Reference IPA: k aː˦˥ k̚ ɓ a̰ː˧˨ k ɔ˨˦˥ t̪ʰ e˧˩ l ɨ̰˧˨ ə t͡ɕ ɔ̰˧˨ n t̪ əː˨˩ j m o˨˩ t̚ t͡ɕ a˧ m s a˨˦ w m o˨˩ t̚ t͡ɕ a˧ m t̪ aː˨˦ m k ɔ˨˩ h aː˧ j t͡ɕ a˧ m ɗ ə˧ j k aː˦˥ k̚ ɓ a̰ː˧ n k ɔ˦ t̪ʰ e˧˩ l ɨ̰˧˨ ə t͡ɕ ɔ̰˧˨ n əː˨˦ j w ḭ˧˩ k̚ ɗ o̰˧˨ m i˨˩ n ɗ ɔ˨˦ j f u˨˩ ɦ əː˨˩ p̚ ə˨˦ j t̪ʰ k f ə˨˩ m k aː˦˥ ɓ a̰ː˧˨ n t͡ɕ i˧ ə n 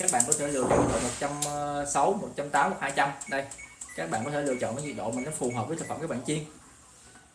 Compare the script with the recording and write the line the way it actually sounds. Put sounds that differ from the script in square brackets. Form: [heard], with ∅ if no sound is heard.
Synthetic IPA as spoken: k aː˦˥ k̚ ɓ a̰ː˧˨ k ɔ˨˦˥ t̪ʰ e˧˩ l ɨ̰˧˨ ə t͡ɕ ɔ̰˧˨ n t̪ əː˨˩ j m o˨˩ t̚ t͡ɕ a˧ m s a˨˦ w m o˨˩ t̚ t͡ɕ a˧ m t̪ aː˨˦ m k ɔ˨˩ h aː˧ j t͡ɕ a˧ m ɗ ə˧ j k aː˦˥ k̚ ɓ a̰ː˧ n k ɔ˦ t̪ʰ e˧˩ l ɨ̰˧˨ ə t͡ɕ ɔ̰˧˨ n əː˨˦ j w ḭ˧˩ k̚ ɗ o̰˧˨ m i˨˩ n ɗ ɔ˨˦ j f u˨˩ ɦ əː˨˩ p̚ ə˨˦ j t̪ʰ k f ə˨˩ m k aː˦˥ ɓ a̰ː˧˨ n t͡ɕ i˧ ə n